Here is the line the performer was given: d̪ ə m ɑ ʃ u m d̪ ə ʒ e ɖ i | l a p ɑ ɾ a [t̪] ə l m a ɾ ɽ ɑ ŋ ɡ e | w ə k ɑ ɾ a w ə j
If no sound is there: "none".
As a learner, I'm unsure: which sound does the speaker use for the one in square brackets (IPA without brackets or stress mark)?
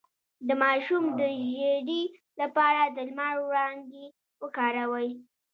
d̪